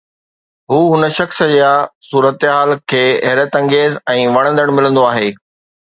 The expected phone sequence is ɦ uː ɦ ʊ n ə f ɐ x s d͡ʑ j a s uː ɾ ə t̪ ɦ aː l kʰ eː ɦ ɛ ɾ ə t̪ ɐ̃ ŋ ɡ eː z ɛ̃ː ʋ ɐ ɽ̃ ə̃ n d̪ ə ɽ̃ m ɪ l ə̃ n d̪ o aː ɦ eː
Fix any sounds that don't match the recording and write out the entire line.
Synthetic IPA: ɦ uː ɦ ʊ n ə ʃ ɐ x s d͡ʑ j a s uː ɾ ə t̪ ɦ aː l kʰ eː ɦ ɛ ɾ ə t̪ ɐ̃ ŋ ɡ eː z ɛ̃ː ʋ ɐ ɽ̃ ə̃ n d̪ ə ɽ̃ m ɪ l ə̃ n d̪ o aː ɦ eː